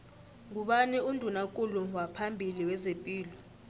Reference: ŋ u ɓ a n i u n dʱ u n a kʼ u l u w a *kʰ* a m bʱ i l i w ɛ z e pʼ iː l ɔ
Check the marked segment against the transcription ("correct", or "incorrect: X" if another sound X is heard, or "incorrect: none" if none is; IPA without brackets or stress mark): incorrect: pʰ